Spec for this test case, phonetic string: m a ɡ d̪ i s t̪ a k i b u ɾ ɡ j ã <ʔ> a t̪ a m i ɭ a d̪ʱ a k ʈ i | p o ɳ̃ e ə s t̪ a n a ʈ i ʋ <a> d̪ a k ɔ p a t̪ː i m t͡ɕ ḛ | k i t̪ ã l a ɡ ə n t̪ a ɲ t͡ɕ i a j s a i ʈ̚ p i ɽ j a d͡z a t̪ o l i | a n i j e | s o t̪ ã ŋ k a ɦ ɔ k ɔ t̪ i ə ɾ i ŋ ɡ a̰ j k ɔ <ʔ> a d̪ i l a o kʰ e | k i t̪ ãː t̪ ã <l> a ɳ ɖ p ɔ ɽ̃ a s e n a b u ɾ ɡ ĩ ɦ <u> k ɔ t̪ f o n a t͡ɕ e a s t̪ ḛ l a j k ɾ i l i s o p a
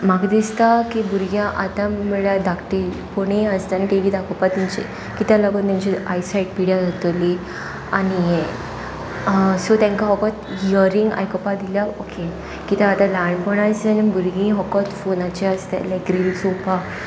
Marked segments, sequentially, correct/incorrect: correct, incorrect: i, incorrect: p, correct, incorrect: ɔ

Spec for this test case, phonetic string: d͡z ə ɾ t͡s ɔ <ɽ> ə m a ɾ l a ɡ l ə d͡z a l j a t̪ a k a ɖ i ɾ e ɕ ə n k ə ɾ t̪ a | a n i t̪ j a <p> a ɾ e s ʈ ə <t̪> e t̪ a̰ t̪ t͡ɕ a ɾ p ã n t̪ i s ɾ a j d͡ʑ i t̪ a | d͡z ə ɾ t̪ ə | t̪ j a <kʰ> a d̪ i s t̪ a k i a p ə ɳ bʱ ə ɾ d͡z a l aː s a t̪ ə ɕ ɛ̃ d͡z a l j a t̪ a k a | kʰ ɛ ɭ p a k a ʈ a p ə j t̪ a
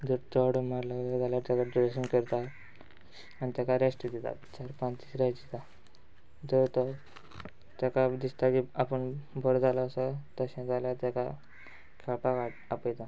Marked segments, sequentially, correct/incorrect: correct, incorrect: k, incorrect: d̪, incorrect: k

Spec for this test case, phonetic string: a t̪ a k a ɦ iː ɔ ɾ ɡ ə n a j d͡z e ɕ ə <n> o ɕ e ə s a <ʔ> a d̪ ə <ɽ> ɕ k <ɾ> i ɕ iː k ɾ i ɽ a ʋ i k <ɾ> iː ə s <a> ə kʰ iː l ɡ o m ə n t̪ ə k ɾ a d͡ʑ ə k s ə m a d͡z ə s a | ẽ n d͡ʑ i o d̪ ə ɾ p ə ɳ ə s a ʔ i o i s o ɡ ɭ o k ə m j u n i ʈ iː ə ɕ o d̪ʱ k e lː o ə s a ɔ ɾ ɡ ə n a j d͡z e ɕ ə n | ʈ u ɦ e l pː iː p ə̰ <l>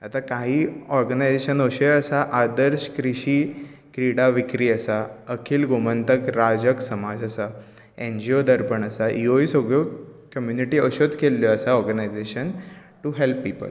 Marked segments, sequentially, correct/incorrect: correct, correct, incorrect: ɾ, correct, correct, correct, correct

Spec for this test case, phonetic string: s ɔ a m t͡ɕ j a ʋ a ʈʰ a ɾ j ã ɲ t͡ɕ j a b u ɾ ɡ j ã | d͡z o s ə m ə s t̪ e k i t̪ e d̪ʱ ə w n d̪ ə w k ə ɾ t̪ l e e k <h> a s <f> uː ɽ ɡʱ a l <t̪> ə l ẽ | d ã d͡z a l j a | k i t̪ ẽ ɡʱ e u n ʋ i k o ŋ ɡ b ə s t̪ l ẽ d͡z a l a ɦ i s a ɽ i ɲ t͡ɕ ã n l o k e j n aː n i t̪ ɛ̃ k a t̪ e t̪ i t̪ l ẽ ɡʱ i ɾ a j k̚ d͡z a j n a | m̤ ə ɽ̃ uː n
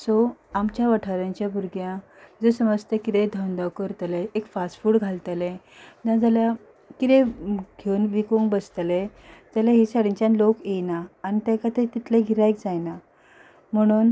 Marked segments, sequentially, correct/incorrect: incorrect: f, correct, correct

